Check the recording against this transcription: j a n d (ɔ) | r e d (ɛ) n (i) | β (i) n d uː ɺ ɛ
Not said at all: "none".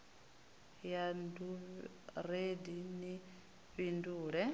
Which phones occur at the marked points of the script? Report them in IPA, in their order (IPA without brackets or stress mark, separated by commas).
u, i, i, i